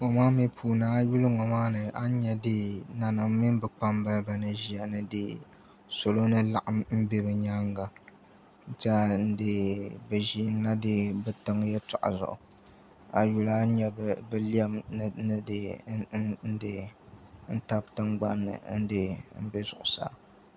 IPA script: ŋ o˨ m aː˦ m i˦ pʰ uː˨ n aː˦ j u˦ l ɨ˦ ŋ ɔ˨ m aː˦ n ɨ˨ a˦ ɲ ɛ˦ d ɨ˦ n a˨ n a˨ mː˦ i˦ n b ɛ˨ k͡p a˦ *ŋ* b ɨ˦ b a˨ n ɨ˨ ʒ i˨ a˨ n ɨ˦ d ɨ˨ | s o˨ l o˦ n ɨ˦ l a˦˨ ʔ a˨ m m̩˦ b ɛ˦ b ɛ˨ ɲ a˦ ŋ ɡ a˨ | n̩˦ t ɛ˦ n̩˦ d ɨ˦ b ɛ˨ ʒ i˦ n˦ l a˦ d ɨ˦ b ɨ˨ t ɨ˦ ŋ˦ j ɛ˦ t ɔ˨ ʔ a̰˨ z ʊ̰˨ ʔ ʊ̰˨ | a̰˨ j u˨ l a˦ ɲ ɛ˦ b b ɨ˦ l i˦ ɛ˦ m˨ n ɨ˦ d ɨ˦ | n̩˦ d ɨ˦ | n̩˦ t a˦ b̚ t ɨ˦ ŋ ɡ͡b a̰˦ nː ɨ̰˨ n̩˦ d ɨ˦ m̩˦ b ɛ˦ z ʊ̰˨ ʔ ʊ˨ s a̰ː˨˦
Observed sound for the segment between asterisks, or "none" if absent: m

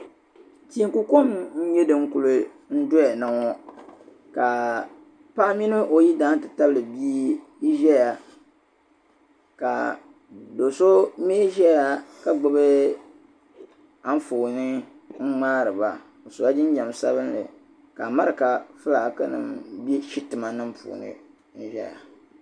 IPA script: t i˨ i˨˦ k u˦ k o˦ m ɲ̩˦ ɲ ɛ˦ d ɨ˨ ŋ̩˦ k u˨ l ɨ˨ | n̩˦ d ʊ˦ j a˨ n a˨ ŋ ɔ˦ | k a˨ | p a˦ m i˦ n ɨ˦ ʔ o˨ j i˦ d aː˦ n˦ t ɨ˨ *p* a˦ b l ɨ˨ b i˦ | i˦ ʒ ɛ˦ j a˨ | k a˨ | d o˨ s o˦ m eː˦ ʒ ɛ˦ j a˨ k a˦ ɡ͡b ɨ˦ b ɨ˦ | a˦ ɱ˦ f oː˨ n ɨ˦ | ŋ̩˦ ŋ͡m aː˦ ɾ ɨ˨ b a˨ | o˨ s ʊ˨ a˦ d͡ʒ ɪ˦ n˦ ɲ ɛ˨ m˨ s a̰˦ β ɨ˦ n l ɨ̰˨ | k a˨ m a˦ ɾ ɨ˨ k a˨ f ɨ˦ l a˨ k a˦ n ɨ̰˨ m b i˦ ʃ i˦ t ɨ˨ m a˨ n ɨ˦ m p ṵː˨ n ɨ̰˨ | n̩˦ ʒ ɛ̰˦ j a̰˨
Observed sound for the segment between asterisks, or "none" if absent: t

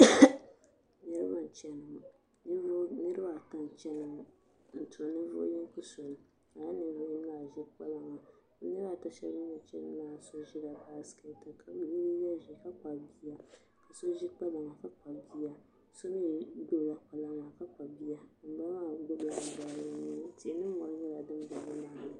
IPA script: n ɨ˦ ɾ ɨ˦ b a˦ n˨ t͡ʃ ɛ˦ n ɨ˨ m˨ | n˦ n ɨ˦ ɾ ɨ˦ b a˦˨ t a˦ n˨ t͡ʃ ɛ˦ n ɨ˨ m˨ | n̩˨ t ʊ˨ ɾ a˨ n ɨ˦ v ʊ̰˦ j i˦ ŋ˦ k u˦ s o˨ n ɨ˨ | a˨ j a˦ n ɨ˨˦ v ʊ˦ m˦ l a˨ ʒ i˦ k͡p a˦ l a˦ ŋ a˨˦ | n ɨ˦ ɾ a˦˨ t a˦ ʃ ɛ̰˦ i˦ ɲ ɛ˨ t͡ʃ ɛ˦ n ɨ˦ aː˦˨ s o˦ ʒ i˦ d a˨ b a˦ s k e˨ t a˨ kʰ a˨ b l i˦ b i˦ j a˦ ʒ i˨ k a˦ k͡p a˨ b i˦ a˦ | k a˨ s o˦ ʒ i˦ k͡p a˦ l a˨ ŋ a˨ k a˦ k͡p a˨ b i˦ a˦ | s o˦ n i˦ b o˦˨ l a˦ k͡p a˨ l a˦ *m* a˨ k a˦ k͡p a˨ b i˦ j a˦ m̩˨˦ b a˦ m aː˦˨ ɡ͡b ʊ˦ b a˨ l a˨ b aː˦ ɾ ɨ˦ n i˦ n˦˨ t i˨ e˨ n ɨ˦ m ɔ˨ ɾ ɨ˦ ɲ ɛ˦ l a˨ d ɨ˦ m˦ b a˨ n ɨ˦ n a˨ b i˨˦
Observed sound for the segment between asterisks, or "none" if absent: ŋ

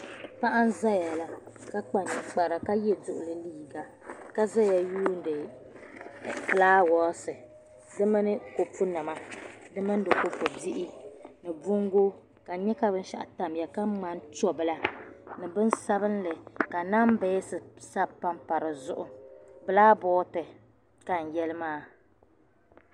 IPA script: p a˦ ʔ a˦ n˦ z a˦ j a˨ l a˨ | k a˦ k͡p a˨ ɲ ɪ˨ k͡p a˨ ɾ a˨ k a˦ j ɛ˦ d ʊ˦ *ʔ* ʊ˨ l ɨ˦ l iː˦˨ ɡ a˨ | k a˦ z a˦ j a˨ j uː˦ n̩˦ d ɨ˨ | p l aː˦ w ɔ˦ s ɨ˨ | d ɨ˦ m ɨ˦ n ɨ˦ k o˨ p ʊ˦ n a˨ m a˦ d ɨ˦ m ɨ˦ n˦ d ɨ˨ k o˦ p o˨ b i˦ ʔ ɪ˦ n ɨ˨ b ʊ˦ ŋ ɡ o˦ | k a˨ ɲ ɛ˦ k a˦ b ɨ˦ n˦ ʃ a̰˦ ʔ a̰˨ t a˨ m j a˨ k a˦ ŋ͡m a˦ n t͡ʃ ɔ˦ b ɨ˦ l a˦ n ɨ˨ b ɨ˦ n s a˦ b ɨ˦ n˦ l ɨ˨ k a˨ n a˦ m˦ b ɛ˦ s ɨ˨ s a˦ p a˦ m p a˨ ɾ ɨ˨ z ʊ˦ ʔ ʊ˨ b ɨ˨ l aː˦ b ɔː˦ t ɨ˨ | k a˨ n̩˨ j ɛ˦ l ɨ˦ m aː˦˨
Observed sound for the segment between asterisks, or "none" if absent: ʔ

